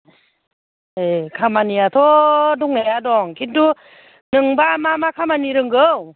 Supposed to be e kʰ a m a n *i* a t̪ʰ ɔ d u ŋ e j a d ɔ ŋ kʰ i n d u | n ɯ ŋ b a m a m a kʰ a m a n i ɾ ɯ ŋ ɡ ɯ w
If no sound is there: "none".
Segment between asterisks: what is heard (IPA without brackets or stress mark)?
i